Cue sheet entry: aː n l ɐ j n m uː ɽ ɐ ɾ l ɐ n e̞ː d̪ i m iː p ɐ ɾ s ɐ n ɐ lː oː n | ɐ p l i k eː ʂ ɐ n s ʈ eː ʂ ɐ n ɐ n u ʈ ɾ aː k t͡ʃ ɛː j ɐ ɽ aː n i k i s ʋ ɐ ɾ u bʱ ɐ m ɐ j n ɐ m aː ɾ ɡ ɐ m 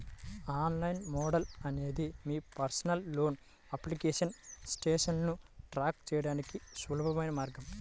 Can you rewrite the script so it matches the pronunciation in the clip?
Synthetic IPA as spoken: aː n l ɐ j n m ɔː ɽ ɐ l ɐ n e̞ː d̪ i m iː p ɐ ɾ s ɐ n ɐ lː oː n | ɐ p l i k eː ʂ ɐ n s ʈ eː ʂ ɐ n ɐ n u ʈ ɾ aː k t͡ʃ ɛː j ɐ ɽ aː n i k i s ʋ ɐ l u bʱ ɐ m ɐ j n ɐ m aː ɾ ɡ ɐ m